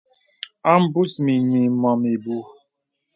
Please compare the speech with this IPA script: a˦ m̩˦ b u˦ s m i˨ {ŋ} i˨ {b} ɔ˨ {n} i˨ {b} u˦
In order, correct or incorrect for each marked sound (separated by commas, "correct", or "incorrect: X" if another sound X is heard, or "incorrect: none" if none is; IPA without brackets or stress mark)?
incorrect: ɲ, incorrect: m, incorrect: m, correct